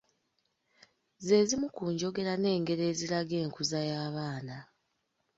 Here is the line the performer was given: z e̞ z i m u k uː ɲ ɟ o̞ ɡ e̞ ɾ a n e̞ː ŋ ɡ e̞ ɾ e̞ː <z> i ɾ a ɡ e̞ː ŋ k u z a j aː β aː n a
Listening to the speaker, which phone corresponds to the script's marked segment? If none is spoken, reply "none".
z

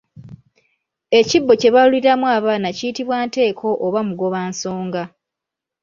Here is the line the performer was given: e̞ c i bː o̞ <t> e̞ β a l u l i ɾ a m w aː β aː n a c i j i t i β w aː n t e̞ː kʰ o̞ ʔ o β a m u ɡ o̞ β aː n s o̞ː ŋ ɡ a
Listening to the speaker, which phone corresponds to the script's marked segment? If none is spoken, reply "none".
c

